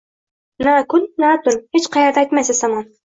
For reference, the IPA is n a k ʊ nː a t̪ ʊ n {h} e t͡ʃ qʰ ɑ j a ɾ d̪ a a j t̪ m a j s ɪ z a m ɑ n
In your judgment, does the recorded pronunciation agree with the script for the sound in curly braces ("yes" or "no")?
yes